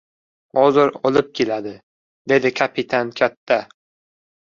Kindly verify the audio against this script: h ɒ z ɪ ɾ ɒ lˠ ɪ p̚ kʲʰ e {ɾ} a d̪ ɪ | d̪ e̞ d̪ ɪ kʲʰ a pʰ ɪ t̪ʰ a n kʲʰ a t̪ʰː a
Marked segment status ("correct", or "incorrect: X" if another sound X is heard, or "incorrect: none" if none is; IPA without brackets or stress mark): incorrect: l